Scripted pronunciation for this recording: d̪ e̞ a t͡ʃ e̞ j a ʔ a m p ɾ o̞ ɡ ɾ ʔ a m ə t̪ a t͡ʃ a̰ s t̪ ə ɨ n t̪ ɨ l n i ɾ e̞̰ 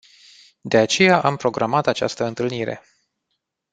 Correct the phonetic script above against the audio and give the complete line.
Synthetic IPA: d̪ e̞ a t͡ʃ e̞ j a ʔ a m p ɾ o̞ ɡ ɾ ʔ a m a t̪ a t͡ʃ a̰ s t̪ ə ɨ n t̪ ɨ l n i ɾ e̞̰